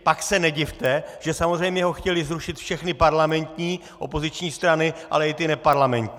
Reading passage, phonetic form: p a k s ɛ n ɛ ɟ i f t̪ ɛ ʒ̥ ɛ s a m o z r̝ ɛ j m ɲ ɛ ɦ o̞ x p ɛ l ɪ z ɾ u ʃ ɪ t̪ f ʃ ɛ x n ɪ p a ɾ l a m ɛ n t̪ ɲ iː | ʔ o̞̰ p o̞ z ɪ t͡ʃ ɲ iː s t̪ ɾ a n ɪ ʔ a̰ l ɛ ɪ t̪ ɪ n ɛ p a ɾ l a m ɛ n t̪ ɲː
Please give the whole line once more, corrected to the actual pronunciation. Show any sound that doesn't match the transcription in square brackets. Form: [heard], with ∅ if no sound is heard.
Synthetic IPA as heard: p a k s ɛ n ɛ ɟ [ɪ] f t̪ ɛ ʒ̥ ɛ s a m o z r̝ ɛ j m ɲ ɛ ɦ o̞ x [c] ɛ l ɪ z ɾ u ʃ ɪ t̪ f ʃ ɛ x n ɪ p a ɾ l a m ɛ n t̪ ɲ iː | ʔ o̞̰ p o̞ z ɪ t͡ʃ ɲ iː s t̪ ɾ a n ɪ ʔ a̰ l ɛ ɪ t̪ ɪ n ɛ p a ɾ l a m ɛ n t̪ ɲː